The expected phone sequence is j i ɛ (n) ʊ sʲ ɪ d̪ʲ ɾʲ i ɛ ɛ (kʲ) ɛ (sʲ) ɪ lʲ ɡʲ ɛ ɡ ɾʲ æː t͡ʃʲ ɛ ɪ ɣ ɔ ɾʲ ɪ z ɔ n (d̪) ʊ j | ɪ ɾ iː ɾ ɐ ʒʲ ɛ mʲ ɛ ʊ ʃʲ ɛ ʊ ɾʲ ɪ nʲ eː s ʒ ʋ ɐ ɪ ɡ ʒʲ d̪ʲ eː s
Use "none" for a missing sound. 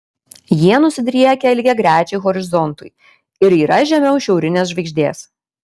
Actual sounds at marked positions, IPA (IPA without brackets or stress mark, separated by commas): n, kʲ, none, t̪